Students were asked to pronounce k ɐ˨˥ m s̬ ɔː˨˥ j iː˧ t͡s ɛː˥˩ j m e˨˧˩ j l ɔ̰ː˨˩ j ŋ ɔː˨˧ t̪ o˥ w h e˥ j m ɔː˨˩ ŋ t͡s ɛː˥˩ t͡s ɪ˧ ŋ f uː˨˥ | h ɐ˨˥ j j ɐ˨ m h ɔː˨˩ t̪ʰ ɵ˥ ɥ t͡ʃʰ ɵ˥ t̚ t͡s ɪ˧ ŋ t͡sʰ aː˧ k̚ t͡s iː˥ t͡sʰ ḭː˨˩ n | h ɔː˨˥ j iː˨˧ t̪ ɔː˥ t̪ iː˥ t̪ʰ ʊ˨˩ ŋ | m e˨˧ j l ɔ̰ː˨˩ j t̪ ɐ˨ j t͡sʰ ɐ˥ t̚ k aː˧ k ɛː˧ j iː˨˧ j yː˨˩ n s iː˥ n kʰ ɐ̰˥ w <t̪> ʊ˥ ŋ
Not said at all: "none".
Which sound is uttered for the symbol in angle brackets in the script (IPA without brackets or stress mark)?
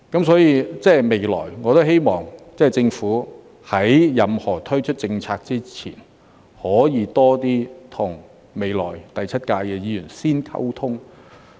t̪ʰ